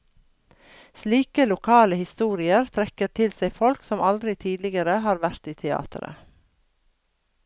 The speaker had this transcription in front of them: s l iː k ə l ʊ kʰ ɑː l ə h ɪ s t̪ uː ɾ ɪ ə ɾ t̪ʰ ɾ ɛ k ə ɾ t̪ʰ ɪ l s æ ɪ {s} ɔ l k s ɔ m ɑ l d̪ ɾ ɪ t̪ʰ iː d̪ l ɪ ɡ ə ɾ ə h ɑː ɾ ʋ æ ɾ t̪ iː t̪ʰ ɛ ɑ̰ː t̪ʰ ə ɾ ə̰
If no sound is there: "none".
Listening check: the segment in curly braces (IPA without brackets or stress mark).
f